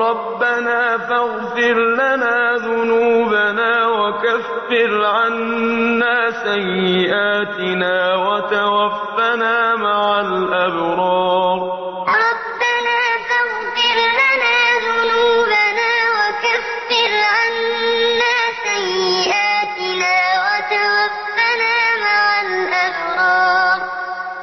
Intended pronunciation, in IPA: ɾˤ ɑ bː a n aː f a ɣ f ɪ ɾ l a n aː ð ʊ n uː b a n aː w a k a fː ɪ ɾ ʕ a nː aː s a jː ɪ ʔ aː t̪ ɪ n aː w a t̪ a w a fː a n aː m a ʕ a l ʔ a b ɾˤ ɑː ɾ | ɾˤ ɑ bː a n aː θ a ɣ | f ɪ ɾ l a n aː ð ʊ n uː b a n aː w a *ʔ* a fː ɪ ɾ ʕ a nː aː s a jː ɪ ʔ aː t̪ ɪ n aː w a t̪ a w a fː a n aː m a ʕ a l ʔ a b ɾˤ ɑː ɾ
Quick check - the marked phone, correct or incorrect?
incorrect